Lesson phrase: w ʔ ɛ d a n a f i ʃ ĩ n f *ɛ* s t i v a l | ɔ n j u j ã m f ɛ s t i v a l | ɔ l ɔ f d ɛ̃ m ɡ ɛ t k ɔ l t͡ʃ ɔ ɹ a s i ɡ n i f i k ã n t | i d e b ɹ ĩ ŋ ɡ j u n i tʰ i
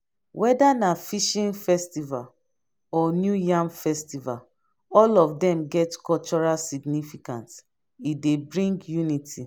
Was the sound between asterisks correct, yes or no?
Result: yes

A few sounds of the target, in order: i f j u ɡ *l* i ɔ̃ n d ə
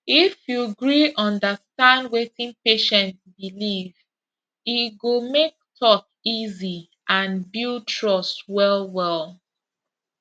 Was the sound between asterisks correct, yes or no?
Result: no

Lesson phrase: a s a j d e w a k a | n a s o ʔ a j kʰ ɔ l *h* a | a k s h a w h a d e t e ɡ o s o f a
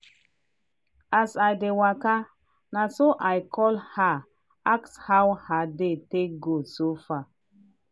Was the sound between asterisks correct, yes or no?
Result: yes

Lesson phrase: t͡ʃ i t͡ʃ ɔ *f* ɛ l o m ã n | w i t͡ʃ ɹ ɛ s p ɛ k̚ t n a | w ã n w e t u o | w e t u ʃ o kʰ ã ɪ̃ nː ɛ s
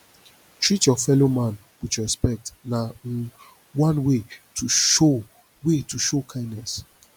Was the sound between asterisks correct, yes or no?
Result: yes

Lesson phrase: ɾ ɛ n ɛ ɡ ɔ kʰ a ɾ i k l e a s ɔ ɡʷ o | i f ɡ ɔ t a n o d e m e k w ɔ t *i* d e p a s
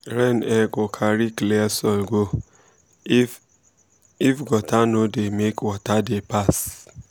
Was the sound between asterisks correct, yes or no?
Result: no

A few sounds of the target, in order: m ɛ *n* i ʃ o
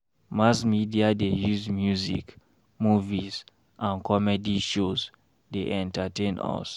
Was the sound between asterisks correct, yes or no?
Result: no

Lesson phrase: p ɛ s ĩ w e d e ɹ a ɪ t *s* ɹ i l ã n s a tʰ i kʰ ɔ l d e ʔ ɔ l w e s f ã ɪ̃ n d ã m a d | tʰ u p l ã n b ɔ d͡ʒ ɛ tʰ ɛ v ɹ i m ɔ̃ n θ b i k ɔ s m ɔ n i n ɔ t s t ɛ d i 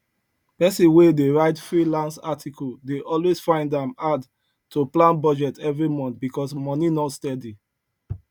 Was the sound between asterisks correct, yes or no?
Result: no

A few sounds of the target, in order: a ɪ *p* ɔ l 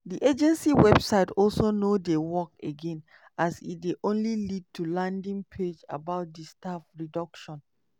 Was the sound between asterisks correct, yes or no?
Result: no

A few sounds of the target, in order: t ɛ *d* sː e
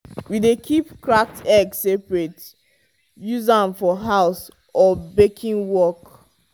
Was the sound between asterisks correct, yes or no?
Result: no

